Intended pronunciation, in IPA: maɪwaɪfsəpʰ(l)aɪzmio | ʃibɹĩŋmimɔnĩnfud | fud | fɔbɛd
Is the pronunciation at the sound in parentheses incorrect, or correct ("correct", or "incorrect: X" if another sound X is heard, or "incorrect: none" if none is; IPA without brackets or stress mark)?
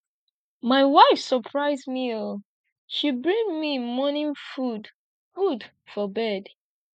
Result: incorrect: ɹ